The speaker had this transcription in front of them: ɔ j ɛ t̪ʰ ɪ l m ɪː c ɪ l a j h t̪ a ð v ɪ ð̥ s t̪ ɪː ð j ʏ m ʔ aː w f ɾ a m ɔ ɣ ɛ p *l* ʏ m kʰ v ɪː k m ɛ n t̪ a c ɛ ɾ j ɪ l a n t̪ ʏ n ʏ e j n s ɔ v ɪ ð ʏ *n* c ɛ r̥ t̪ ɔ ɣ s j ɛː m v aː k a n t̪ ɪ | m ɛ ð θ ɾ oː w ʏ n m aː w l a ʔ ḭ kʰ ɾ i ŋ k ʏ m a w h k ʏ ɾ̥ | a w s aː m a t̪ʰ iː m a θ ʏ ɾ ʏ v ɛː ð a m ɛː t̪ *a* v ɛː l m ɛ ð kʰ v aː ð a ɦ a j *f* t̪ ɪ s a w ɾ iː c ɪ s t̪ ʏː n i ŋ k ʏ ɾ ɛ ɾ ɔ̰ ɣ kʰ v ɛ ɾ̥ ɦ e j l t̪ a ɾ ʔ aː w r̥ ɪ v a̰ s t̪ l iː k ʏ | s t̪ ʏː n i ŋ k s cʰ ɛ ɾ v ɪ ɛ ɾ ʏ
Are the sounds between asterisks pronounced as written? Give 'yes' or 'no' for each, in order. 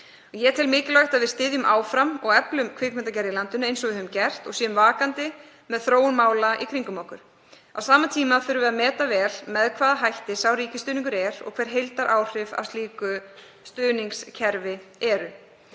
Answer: yes, no, yes, no

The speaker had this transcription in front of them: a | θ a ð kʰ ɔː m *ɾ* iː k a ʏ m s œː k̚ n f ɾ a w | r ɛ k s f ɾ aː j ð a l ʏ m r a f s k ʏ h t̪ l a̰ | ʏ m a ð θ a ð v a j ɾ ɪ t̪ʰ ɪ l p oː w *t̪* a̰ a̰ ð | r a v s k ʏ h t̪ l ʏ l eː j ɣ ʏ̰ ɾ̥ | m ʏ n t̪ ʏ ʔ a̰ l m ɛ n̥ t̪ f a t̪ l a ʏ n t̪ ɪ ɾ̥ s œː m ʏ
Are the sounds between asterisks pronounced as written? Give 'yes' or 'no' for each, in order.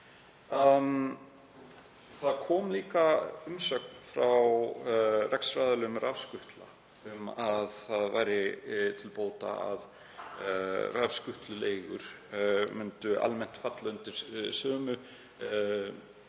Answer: no, yes

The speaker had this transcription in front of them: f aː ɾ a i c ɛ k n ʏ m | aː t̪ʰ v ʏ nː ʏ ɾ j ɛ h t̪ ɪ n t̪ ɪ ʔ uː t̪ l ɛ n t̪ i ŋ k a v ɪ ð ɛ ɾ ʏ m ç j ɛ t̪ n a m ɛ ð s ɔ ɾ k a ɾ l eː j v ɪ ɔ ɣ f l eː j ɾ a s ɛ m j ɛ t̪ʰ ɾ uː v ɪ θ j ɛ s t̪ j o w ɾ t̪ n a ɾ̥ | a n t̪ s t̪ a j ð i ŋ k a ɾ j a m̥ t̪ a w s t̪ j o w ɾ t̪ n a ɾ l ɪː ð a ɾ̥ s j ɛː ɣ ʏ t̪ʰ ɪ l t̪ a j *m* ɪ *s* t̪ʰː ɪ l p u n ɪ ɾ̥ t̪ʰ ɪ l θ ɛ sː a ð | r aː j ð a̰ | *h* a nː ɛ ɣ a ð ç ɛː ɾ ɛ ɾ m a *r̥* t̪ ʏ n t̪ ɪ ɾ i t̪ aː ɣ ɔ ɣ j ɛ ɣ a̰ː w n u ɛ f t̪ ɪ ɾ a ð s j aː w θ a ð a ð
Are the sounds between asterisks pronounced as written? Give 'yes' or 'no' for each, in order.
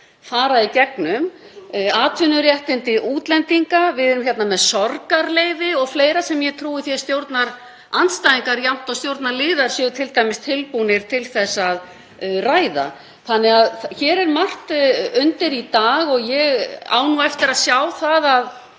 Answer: yes, yes, no, yes

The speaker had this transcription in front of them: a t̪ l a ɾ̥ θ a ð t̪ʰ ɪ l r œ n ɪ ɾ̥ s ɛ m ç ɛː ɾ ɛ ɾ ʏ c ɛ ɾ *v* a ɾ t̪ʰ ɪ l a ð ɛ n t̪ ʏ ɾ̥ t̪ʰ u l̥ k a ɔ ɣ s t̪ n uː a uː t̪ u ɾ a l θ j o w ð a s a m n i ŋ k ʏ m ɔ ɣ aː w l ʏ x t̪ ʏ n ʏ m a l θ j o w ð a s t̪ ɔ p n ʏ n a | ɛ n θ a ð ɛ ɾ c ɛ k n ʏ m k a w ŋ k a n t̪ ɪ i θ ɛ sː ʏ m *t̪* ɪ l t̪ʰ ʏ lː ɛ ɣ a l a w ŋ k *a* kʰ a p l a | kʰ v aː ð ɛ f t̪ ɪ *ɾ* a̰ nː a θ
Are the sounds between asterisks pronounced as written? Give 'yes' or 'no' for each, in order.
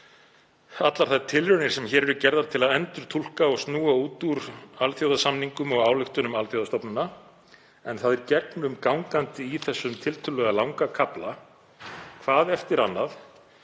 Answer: no, no, yes, yes

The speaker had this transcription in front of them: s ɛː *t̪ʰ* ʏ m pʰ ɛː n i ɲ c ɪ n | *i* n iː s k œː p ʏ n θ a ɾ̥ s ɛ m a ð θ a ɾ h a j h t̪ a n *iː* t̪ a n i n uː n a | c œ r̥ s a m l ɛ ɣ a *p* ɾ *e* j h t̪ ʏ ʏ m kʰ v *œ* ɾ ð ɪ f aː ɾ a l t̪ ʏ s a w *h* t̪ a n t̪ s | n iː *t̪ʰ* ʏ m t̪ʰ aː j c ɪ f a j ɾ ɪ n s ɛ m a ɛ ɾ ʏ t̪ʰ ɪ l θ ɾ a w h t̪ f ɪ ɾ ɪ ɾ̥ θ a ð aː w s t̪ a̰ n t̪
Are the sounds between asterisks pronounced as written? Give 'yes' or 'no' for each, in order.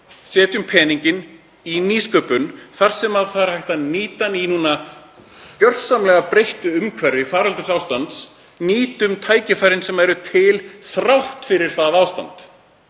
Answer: no, yes, yes, yes, yes, no, no, no

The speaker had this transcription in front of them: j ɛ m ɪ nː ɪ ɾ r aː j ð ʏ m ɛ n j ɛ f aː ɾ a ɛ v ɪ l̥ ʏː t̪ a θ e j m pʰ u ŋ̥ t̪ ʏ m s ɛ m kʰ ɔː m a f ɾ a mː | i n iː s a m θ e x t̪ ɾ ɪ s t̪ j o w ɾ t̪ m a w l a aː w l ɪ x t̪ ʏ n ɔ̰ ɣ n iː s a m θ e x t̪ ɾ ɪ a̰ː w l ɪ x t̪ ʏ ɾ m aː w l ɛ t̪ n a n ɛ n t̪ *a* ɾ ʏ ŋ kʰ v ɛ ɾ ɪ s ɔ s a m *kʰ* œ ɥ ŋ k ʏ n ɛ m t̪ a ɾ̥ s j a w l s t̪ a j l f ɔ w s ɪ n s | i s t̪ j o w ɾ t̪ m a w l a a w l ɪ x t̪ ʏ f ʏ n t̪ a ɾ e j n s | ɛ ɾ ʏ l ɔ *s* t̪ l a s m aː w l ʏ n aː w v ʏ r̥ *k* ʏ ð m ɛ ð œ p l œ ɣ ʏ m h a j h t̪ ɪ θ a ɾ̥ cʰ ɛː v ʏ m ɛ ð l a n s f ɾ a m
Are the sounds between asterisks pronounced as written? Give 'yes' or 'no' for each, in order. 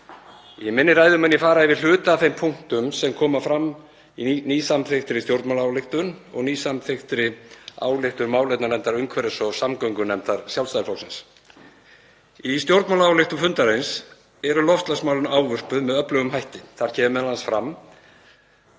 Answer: yes, no, no, no

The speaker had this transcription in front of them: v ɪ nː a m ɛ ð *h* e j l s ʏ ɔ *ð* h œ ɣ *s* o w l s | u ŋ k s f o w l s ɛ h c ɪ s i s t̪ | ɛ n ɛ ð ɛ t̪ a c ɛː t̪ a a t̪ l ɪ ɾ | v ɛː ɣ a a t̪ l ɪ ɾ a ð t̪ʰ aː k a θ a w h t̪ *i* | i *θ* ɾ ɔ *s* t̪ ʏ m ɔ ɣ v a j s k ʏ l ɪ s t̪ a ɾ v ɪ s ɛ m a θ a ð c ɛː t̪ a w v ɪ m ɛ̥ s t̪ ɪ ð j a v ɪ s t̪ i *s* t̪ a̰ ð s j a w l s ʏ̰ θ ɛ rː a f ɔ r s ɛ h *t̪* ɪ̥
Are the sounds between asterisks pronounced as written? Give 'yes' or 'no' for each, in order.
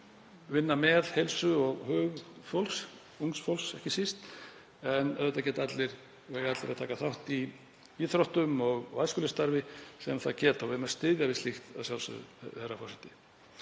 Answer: yes, no, no, yes, yes, no, no, yes

